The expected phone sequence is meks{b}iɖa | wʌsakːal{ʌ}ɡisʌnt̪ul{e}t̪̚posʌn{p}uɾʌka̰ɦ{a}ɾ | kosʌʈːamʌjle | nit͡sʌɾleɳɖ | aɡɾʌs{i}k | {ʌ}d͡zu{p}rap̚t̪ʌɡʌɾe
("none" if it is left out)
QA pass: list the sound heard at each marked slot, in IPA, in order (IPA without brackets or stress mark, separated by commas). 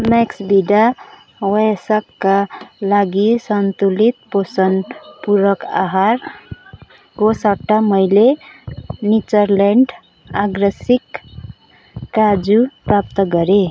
b, a, i, p, a, i, a, p